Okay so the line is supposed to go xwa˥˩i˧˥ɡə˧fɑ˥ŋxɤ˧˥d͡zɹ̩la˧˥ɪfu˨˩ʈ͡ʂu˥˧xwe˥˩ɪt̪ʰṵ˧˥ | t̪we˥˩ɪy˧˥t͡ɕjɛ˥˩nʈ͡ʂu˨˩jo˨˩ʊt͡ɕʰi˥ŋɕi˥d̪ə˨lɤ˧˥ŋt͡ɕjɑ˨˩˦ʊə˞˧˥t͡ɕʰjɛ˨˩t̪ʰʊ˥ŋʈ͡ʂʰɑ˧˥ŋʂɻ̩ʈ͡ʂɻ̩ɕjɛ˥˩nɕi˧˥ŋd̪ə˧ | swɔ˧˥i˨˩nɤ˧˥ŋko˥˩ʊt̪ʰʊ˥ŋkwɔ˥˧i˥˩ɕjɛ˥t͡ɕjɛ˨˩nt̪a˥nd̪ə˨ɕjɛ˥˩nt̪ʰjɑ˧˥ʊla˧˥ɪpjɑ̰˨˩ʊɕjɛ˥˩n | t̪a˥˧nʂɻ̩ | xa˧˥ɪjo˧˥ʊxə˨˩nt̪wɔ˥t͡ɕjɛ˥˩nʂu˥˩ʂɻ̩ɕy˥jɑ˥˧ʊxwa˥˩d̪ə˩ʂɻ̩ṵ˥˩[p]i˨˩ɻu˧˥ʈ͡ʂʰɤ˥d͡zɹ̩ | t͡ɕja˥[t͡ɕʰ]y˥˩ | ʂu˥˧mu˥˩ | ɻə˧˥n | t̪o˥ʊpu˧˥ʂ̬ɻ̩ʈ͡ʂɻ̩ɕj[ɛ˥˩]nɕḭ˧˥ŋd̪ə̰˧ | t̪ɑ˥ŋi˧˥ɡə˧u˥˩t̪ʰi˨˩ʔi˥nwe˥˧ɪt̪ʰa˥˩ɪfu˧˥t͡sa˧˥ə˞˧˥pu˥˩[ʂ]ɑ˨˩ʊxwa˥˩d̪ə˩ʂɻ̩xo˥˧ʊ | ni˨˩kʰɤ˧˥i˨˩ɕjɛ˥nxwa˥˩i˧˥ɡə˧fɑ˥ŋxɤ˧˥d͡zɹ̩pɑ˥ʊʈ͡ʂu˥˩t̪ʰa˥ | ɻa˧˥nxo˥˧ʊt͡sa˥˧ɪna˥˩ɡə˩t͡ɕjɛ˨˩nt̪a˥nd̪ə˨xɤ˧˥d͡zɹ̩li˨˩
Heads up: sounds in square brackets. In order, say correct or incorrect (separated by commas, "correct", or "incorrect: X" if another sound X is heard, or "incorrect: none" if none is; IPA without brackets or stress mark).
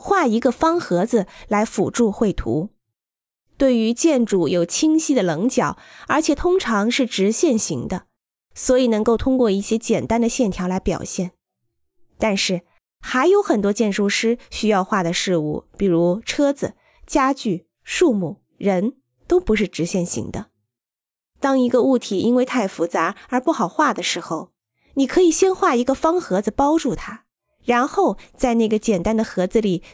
correct, incorrect: t͡ɕ, correct, incorrect: x